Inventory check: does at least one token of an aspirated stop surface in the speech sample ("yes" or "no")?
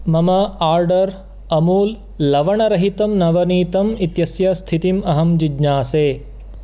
yes